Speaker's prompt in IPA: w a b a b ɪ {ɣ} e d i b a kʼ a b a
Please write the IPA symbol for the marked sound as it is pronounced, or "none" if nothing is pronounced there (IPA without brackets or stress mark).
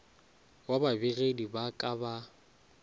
ɣ